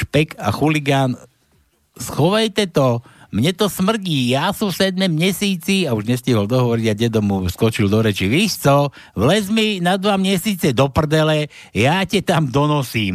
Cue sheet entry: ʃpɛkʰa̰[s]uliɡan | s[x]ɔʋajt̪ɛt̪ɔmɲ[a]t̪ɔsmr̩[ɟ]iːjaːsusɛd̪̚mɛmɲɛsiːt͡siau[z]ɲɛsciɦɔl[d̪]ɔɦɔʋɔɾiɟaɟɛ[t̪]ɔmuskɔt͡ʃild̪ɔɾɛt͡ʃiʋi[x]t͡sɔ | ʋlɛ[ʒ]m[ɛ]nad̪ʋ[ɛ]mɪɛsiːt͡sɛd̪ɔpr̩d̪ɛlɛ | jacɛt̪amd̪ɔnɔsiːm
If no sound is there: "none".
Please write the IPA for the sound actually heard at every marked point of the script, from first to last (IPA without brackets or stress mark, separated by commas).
x, x, ɛ, ɟ, ʒ, d̪, d̪, ʃ, z, i, a